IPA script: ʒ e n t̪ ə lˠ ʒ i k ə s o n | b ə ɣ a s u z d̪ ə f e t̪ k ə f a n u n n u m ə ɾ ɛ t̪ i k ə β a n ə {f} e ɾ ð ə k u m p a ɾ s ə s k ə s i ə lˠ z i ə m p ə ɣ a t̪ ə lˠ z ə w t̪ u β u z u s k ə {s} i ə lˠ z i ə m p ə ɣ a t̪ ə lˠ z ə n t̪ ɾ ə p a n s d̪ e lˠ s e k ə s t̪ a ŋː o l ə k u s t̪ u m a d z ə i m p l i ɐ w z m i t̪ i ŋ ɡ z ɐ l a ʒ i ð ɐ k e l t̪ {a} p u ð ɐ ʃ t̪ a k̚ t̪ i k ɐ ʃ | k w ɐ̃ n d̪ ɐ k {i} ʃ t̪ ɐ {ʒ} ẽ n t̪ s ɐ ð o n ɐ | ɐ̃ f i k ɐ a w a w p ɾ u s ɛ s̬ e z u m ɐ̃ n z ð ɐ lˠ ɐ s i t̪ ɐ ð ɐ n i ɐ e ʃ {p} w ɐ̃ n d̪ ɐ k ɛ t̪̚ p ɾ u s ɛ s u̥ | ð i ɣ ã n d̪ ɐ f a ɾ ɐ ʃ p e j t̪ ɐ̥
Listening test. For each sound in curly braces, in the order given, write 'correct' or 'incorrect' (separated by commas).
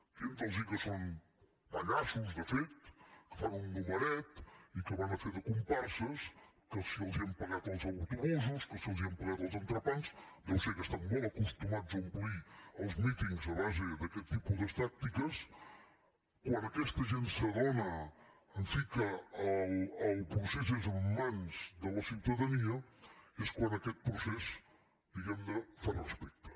correct, correct, incorrect, incorrect, correct, incorrect